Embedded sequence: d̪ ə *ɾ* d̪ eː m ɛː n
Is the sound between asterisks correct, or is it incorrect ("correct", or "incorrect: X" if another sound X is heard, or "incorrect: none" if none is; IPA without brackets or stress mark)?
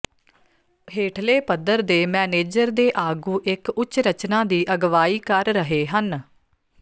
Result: correct